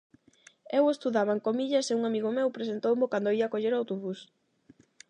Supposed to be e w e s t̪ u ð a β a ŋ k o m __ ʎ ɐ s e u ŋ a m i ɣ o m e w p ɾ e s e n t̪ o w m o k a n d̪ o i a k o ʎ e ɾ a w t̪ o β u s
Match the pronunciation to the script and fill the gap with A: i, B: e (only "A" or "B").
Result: A